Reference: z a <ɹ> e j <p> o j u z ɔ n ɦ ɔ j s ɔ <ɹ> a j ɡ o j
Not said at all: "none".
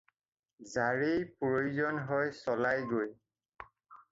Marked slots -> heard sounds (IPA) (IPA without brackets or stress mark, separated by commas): ɹ, p, l